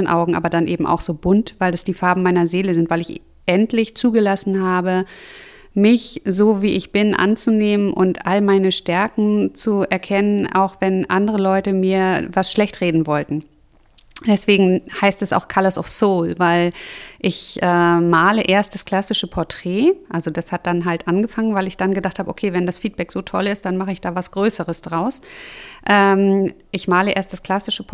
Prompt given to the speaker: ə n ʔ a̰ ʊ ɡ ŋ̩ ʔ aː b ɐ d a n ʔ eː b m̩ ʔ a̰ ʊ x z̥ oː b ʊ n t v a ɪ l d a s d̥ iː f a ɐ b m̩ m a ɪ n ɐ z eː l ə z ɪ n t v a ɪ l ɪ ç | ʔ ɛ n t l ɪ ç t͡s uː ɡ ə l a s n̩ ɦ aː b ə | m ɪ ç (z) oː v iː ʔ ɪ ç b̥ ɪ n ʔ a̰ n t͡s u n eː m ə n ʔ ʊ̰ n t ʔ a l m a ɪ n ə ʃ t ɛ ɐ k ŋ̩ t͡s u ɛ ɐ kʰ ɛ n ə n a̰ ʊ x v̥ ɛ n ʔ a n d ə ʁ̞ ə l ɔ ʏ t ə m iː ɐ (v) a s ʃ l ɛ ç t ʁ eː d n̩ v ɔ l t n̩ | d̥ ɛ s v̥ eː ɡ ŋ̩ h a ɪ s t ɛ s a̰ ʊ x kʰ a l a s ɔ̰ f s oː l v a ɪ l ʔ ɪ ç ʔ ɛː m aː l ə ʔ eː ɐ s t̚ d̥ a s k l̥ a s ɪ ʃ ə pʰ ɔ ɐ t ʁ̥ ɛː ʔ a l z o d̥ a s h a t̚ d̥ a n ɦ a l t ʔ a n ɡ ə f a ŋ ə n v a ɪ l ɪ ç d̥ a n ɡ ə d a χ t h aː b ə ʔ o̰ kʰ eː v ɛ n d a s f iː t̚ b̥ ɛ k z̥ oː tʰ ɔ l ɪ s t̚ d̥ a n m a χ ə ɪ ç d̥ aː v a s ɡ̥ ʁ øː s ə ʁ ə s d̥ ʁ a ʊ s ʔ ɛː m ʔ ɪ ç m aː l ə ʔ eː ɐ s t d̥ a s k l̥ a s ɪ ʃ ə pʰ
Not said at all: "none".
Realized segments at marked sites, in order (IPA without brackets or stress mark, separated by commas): z, v